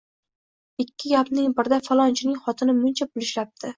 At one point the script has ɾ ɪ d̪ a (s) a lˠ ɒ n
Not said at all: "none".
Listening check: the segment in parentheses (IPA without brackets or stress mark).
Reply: f